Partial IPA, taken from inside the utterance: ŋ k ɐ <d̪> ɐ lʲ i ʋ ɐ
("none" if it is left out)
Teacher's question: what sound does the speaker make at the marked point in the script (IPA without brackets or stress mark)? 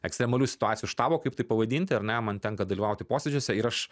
d̪